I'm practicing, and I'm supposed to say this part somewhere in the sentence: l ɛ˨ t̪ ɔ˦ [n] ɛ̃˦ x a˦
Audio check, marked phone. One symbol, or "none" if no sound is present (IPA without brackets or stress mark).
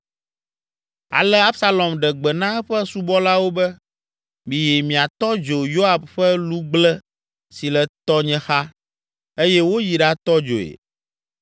ɲ